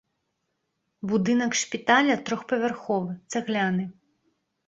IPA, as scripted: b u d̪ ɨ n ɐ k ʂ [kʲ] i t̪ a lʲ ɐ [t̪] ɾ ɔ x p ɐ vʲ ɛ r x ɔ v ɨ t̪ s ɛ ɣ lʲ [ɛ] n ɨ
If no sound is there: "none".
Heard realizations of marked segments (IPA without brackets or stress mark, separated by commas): pʲ, t̪, a